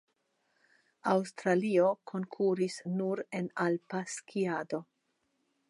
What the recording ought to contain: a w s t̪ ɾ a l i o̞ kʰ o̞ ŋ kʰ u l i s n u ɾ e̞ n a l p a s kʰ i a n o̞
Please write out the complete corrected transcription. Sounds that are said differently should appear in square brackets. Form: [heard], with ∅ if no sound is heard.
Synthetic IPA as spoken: a w s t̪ ɾ a l i o̞ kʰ o̞ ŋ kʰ u [ɾ] i s n u ɾ e̞ n a l p a s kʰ i a [d] o̞